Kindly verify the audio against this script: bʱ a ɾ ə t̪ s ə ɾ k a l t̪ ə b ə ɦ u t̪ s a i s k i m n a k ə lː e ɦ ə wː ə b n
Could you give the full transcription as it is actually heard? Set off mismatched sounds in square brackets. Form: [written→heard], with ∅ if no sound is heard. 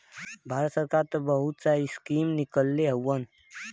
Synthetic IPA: bʱ a ɾ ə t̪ s ə ɾ k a [l→ɾ] t̪ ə b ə ɦ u t̪ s a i s k i m n [a→i] k ə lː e ɦ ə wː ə [b→∅] n